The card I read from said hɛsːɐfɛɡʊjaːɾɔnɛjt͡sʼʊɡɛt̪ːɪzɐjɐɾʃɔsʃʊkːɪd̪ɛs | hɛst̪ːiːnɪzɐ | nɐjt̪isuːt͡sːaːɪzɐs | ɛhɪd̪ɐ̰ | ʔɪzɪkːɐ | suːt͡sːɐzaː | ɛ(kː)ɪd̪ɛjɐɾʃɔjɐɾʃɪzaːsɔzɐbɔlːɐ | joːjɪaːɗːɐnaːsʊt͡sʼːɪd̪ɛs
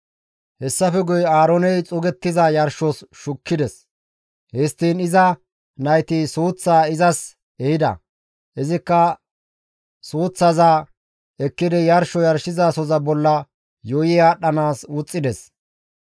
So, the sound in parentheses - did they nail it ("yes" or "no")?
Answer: yes